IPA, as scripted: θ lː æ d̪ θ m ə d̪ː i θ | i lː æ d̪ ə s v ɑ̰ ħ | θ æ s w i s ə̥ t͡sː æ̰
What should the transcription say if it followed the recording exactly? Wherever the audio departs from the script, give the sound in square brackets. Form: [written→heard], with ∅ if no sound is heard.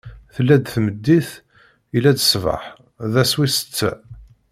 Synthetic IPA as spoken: θ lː æ d̪ θ m ə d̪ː i θ | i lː æ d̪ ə s v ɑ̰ ħ | [θ→ð] æ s w i s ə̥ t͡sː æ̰